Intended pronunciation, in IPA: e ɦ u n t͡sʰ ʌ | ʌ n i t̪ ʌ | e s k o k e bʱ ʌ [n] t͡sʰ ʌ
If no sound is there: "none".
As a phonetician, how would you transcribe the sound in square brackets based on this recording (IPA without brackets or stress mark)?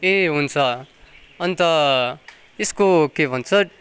n